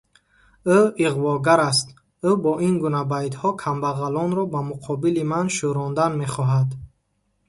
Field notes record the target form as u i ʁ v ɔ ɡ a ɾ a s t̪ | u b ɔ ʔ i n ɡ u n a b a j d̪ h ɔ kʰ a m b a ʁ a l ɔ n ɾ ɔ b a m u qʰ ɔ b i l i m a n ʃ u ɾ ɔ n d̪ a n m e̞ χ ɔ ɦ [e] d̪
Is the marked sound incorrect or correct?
incorrect